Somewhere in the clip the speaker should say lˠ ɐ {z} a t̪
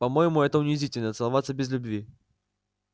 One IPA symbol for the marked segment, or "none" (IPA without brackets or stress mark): v